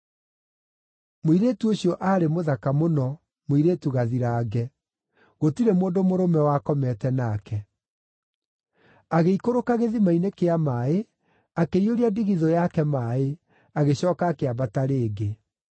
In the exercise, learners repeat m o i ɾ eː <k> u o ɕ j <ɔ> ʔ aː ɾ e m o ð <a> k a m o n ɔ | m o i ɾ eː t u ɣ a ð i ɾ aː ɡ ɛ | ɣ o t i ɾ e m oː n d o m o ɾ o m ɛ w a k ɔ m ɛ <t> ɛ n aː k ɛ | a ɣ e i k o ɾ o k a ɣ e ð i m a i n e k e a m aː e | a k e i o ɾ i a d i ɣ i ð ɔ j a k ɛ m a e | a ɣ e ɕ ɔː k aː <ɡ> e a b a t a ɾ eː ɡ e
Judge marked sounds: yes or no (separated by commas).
no, yes, yes, yes, no